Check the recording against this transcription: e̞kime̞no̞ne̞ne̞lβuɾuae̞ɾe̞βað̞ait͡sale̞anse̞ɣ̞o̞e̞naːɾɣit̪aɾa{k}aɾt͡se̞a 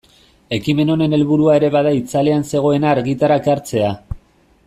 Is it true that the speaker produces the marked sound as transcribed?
yes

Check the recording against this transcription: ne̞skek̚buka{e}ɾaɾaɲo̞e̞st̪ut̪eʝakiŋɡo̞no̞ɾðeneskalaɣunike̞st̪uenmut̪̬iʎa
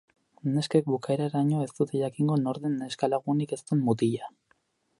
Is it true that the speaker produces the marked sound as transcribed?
yes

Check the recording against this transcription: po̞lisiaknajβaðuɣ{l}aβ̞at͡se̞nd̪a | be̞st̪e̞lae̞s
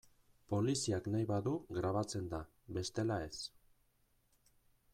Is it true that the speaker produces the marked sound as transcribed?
no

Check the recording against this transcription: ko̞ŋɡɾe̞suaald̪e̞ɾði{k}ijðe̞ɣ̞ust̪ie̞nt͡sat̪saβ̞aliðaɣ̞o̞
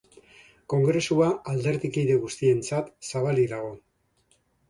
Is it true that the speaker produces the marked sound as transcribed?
yes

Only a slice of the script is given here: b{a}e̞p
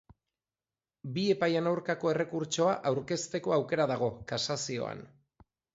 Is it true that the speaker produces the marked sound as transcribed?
no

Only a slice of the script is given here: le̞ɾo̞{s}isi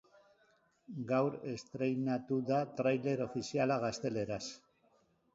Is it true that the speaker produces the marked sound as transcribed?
no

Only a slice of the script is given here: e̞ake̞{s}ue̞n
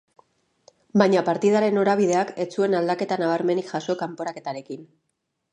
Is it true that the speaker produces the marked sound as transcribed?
no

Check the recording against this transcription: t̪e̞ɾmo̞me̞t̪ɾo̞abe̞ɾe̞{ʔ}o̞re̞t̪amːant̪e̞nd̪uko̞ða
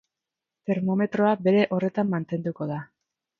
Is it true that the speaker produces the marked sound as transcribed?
yes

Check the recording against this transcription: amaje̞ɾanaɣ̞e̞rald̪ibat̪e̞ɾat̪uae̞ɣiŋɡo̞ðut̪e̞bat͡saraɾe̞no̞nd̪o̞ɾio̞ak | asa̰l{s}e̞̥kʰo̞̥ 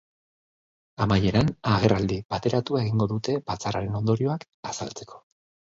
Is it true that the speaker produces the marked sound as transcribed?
no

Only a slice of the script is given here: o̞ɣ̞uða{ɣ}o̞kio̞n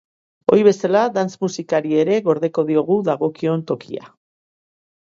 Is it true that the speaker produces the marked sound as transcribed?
yes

